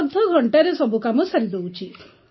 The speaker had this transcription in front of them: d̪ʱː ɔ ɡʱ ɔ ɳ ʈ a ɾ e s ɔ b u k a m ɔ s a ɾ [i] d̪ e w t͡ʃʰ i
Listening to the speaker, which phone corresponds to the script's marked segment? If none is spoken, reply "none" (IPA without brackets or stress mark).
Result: i